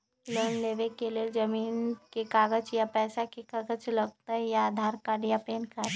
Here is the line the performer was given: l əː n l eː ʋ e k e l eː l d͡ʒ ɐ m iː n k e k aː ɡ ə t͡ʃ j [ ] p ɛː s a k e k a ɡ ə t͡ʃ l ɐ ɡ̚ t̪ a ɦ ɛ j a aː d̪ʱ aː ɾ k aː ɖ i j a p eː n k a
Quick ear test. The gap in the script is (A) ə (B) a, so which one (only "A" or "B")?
B